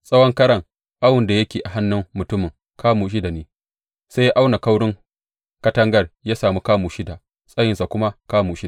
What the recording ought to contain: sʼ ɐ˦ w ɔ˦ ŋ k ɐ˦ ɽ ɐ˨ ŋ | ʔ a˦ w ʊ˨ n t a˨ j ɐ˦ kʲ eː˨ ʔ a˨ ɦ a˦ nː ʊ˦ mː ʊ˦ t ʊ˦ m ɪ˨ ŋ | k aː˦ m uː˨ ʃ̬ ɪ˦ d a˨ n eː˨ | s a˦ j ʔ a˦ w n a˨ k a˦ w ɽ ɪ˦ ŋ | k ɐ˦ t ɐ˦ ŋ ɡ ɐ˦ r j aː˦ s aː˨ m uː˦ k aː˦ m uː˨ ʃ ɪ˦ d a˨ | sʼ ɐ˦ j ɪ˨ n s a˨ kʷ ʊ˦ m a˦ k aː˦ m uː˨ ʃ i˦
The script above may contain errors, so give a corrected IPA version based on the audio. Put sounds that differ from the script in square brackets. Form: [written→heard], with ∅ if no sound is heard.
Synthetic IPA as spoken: sʼ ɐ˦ w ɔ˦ ŋ k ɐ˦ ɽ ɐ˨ ŋ | ʔ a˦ w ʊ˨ n [t→d] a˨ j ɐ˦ kʲ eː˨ ʔ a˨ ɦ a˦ nː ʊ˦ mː [ʊ˦→ʊ˨] t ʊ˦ m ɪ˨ ŋ | k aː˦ m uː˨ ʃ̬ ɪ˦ d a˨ n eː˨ | s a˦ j ʔ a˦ w n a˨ k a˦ w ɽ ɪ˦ ŋ | k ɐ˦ t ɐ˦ ŋ ɡ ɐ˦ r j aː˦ s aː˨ m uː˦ k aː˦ m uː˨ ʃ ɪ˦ d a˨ | sʼ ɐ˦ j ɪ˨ n s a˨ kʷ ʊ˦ m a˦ k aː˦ m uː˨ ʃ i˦